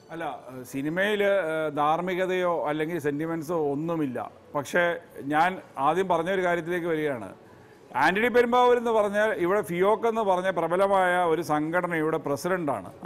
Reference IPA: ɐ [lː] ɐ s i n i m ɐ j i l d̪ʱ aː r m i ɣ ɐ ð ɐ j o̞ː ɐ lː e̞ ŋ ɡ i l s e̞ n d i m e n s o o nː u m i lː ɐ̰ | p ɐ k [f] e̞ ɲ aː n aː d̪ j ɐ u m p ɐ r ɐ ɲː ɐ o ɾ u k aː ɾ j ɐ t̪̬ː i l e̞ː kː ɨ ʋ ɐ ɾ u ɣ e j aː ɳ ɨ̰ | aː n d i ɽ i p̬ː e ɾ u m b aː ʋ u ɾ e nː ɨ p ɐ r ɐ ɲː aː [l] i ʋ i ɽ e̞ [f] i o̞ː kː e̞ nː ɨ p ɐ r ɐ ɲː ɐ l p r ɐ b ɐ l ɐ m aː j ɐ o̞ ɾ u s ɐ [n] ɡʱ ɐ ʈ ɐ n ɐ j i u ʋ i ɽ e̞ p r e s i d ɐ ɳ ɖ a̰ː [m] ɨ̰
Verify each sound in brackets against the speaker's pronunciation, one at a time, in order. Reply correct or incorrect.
correct, incorrect, correct, correct, incorrect, incorrect

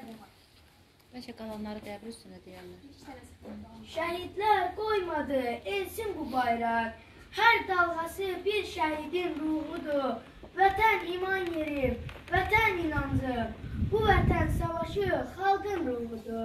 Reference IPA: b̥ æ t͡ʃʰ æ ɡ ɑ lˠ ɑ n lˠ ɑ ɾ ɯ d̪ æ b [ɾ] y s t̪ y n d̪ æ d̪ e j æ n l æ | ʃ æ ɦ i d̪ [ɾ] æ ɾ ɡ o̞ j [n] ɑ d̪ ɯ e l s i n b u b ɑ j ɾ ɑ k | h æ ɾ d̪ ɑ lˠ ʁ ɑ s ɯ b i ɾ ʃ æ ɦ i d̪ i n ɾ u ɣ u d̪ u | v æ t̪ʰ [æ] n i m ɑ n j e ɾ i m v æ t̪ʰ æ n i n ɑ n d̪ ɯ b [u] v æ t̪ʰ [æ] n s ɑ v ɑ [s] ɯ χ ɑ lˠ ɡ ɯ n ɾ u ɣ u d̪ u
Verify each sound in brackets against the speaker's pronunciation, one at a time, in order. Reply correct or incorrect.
correct, incorrect, incorrect, correct, correct, correct, incorrect

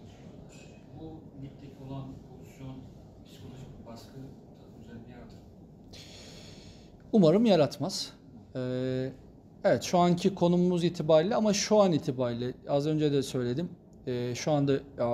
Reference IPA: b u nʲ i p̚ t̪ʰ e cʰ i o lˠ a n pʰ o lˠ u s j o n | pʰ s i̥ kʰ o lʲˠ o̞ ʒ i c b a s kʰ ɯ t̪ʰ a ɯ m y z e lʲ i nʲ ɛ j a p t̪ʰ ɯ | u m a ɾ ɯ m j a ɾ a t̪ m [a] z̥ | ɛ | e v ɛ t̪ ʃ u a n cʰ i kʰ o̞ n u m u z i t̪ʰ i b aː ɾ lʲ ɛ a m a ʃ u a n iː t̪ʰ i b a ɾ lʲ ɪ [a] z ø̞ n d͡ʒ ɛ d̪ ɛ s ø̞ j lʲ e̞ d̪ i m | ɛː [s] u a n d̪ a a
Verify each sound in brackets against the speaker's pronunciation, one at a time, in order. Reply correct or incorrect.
correct, correct, incorrect

